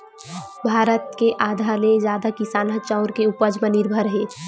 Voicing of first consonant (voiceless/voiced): voiced